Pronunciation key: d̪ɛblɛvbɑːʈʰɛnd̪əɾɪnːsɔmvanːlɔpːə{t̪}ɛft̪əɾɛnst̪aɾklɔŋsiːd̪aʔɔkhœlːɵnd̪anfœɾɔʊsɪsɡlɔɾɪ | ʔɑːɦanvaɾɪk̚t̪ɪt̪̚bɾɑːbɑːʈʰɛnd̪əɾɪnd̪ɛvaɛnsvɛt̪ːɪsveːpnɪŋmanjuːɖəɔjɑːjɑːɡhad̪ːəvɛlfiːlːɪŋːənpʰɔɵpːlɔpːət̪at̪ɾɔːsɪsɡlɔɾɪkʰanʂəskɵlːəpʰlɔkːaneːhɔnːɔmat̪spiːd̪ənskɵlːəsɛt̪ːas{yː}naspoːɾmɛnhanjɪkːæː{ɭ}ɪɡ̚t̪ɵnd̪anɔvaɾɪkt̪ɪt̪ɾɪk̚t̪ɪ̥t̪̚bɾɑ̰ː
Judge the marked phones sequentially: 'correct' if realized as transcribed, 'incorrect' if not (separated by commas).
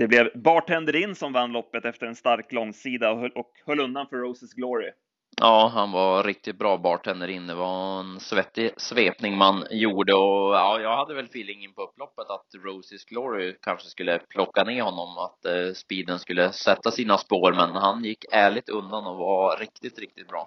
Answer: correct, incorrect, correct